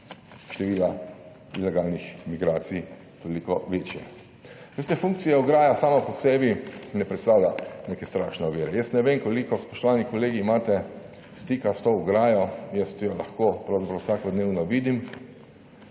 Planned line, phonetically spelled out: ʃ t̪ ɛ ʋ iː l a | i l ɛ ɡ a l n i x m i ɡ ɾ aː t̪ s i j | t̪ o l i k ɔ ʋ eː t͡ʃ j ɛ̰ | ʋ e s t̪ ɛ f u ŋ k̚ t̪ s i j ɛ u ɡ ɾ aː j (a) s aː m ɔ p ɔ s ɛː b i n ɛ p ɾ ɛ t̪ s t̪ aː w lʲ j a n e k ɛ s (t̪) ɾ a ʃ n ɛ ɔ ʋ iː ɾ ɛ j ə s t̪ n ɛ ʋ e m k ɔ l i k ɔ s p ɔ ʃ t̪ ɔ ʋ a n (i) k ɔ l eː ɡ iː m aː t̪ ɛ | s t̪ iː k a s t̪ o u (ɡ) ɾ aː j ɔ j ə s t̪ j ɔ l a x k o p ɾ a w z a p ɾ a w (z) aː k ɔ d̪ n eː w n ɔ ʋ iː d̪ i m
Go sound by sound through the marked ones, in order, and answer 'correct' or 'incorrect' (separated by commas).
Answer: correct, correct, correct, correct, incorrect